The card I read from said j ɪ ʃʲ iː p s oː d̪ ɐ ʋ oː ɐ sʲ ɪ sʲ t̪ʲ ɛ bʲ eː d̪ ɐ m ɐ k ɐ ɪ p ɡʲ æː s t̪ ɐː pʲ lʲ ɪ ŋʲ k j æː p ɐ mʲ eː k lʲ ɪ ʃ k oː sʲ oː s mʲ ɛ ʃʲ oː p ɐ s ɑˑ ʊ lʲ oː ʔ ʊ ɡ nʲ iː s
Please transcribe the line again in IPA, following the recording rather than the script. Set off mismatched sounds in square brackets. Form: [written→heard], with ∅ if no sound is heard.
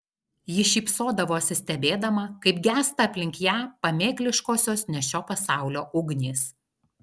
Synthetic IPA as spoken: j ɪ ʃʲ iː p s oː d̪ ɐ ʋ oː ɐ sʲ ɪ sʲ t̪ʲ ɛ bʲ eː d̪ ɐ m ɐ k ɐ ɪ p ɡʲ æː s t̪ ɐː pʲ lʲ ɪ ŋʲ k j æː p ɐ mʲ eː k lʲ ɪ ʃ k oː sʲ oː s [mʲ→nʲ] ɛ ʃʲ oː p ɐ s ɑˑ ʊ lʲ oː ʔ ʊ ɡ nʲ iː s